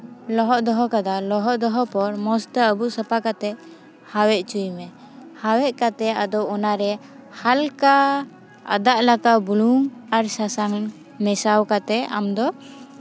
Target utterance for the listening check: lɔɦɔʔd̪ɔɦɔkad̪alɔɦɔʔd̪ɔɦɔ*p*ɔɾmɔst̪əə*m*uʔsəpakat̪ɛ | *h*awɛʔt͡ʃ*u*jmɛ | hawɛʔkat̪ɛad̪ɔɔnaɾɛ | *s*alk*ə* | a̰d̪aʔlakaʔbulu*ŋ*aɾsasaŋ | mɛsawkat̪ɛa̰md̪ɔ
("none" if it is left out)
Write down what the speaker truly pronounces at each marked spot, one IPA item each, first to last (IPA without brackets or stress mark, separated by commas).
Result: p, b, h, u, h, a, ŋ